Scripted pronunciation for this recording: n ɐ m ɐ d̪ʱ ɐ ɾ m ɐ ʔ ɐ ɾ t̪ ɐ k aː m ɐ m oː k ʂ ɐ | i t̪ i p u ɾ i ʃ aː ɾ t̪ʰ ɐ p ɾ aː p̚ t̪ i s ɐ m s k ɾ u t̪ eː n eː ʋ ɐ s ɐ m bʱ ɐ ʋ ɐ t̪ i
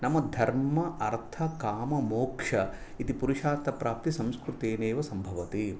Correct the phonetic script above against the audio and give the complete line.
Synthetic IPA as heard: n ɐ m ɐ d̪ʱ ɐ ɾ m ɐ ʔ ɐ ɾ t̪ʰ ɐ k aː m ɐ m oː k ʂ ɐ | i t̪ i p u ɾ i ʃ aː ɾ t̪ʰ ɐ p ɾ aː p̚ t̪ i s ɐ m s k ɾ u t̪ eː n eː ʋ ɐ s ɐ m bʱ ɐ ʋ ɐ t̪ i